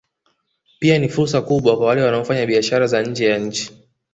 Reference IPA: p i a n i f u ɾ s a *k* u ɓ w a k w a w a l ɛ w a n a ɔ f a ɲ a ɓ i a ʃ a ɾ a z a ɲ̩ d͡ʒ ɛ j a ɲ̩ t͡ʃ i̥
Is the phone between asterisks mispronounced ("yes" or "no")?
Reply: no